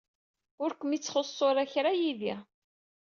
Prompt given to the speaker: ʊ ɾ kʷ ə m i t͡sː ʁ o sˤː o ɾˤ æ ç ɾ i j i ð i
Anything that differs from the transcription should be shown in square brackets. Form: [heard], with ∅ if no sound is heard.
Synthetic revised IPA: ʊ ɾ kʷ ə m i t͡sː [χ] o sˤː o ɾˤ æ ç ɾ [a] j i ð i